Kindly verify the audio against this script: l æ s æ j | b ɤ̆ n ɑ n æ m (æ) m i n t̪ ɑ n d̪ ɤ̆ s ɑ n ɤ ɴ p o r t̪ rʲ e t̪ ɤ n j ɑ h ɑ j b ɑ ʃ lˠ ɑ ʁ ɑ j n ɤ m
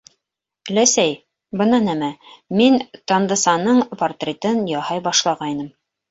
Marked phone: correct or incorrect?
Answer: correct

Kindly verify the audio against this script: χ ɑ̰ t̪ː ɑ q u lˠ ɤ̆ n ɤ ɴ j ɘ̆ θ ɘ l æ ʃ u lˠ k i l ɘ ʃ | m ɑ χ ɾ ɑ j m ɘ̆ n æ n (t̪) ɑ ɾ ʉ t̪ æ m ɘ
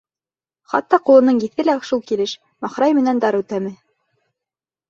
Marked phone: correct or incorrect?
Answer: incorrect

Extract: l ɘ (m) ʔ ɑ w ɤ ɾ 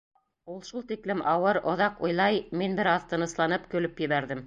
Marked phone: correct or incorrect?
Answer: correct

